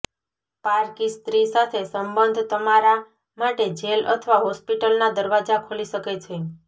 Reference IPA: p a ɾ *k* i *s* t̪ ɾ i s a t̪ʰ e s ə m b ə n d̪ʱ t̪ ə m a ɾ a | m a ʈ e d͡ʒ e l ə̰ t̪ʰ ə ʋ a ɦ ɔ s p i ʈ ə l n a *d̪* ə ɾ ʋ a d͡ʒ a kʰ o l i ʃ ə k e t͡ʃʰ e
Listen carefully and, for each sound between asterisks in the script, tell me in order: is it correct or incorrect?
correct, correct, correct

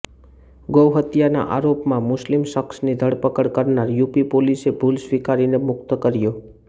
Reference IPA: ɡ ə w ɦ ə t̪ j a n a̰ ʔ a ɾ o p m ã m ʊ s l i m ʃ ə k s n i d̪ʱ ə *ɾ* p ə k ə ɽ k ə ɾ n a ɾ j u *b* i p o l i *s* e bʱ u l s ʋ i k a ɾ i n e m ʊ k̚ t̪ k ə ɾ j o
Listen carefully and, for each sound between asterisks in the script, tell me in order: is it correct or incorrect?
incorrect: ɽ, incorrect: p, correct

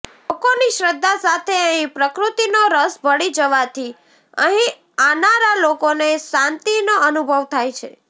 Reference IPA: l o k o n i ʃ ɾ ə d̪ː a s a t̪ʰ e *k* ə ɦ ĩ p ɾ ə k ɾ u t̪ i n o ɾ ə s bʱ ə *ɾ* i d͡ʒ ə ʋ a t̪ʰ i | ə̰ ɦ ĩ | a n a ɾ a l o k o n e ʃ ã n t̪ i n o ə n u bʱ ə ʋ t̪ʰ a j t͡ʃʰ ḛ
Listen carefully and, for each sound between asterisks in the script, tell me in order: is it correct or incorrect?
incorrect: none, incorrect: ɽ

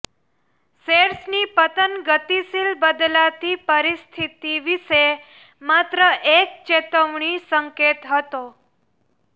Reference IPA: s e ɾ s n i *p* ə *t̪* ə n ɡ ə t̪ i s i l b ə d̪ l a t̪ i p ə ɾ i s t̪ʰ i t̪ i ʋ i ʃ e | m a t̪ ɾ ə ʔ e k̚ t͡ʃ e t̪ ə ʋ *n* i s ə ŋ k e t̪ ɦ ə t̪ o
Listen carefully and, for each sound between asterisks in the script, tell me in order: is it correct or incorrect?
correct, correct, incorrect: ɳ

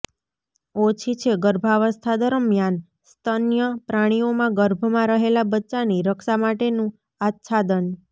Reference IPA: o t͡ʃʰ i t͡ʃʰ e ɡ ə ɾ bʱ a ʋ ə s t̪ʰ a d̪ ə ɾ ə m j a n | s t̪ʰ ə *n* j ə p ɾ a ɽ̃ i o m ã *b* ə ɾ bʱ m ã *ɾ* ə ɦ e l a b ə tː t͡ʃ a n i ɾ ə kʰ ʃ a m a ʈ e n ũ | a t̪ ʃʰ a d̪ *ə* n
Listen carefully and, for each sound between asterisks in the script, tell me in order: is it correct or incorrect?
correct, incorrect: ɡ, correct, correct

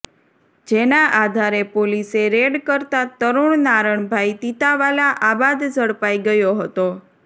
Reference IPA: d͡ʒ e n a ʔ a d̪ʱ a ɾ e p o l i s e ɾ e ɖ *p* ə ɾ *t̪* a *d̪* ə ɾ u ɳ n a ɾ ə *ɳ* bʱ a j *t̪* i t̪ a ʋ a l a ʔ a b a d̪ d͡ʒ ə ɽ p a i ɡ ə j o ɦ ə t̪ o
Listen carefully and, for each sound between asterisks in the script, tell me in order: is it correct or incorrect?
incorrect: k, correct, incorrect: t̪, correct, correct

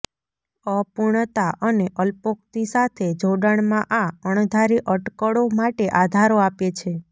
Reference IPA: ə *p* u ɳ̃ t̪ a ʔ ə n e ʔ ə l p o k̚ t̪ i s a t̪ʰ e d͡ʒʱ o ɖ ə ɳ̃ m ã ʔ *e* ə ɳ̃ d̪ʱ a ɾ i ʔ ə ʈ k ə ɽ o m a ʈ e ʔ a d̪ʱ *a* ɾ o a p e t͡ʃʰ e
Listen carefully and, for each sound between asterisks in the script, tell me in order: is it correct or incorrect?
correct, incorrect: a, correct

